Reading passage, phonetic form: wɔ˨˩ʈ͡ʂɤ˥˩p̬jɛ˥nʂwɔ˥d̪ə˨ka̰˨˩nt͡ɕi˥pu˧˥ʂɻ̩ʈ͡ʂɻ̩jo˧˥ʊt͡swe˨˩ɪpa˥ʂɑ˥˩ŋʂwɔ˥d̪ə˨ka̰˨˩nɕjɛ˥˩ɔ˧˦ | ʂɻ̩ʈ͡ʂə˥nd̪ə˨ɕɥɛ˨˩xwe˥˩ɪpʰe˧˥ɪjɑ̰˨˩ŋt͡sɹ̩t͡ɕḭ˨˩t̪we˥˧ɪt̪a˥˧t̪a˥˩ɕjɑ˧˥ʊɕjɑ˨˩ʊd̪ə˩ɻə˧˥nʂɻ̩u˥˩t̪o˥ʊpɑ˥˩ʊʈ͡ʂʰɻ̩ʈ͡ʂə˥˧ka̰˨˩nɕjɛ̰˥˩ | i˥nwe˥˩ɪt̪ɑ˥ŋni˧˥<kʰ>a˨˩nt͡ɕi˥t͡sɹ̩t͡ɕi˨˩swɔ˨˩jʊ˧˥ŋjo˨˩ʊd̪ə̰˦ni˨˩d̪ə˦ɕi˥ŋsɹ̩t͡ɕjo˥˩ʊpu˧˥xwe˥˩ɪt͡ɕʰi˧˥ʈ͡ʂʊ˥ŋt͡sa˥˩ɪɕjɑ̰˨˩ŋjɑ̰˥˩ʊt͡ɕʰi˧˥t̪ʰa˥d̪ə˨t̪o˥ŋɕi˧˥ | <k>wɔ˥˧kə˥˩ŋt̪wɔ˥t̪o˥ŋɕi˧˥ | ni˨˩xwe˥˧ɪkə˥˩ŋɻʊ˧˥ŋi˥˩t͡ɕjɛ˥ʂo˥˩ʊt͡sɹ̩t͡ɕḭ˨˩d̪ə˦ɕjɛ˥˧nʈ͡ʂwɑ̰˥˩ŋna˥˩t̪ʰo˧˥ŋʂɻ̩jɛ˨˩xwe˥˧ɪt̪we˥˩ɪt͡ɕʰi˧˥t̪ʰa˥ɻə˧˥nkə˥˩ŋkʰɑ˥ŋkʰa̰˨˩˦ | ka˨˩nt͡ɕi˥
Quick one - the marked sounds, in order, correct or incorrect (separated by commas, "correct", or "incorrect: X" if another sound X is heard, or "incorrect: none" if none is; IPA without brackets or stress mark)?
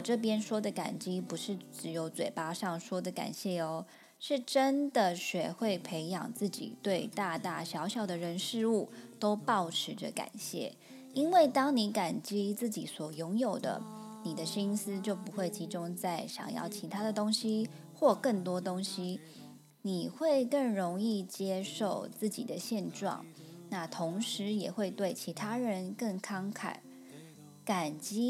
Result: incorrect: k, incorrect: x